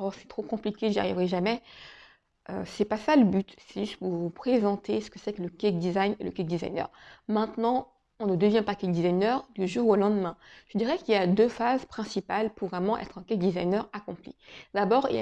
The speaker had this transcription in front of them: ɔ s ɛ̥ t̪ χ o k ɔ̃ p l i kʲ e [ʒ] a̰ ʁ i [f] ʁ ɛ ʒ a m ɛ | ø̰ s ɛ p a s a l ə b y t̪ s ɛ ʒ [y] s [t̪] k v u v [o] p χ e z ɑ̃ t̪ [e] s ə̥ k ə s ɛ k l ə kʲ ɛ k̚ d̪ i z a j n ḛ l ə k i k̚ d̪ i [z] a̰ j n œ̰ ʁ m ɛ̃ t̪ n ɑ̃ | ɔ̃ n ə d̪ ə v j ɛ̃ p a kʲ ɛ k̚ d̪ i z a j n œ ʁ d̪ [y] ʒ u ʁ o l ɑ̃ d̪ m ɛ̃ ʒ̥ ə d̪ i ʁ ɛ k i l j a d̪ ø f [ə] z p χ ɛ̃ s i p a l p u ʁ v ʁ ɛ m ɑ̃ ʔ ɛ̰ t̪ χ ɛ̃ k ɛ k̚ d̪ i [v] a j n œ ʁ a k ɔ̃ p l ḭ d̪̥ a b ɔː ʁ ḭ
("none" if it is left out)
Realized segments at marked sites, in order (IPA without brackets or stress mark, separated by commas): ʒ, v, y, t̪, u, e, z, y, a, z